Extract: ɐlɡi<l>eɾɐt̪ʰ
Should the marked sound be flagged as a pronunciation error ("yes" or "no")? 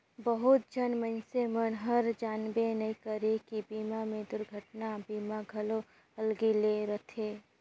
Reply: no